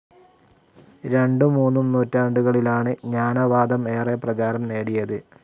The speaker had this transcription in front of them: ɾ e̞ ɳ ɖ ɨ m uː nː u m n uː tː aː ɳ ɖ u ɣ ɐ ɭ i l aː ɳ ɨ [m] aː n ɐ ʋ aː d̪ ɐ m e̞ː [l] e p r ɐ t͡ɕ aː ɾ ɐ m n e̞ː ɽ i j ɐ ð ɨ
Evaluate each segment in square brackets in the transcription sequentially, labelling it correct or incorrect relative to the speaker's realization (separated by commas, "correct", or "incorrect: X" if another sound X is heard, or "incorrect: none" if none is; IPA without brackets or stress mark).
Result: incorrect: ɲ, incorrect: r